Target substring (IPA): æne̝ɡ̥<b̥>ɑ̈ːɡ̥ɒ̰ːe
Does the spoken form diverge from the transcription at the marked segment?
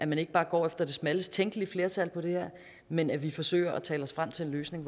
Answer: no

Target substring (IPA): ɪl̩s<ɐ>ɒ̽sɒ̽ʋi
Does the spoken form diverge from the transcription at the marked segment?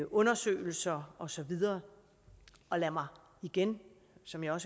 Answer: no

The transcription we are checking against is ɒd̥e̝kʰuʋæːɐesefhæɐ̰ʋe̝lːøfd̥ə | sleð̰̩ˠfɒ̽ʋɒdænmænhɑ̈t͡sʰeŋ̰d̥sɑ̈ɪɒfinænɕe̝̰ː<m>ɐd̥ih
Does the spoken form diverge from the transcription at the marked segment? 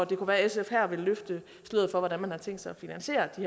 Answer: yes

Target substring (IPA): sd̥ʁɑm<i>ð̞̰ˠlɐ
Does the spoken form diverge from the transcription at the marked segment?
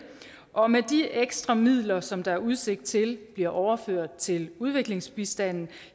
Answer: no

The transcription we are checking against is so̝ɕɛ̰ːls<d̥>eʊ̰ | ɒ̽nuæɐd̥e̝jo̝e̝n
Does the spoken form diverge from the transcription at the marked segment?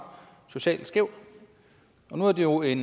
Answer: yes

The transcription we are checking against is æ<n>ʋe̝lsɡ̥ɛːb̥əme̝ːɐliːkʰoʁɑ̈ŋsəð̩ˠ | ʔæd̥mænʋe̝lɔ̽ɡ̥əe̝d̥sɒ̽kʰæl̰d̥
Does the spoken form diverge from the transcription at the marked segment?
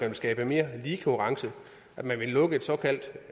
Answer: no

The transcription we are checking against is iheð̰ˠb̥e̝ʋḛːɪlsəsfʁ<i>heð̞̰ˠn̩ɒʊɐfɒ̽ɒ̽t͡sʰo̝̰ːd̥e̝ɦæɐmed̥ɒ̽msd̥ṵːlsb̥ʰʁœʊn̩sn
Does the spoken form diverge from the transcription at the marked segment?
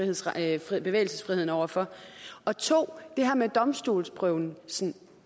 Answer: no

